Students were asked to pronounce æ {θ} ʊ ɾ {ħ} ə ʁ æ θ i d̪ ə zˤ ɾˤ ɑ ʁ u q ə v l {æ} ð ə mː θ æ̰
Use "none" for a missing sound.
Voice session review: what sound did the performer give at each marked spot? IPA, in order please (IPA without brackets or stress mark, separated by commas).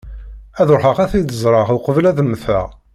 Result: ð, ħ, æ